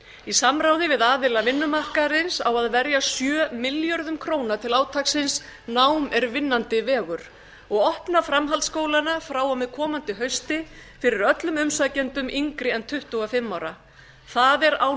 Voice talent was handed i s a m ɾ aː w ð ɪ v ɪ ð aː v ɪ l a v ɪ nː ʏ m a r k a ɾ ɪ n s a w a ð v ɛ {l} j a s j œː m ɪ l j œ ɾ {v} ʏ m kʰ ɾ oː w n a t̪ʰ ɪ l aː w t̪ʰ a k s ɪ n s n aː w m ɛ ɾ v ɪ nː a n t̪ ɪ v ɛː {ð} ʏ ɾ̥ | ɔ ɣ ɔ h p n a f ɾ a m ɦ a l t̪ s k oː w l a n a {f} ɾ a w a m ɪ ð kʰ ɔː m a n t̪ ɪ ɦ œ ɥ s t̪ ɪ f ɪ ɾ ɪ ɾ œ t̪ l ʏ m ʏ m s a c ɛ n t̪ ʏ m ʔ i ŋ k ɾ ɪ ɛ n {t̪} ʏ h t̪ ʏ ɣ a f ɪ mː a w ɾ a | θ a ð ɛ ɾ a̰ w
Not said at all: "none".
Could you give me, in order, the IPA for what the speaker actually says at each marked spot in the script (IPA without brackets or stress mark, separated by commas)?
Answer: ɾ, ð, ɣ, f, t̪ʰ